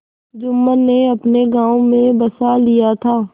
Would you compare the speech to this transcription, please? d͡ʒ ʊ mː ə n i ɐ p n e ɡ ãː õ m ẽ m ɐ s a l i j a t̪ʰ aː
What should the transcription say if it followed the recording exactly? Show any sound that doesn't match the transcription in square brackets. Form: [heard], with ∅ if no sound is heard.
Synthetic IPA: d͡ʒ ʊ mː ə n [e] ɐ p n e ɡ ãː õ m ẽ [b] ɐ s a l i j a t̪ʰ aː